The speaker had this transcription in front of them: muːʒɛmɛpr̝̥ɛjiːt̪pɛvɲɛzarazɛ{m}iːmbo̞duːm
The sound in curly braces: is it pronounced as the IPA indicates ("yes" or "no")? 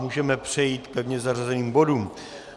no